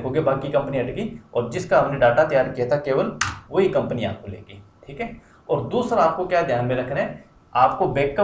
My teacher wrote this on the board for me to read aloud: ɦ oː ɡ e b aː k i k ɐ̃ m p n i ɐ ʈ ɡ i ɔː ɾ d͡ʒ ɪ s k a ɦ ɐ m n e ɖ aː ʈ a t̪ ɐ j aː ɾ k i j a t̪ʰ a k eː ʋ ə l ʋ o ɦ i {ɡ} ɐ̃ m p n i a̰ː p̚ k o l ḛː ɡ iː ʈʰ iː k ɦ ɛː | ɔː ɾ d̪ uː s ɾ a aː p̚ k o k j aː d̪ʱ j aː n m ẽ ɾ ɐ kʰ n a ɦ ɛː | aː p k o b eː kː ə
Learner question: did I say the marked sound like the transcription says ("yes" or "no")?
no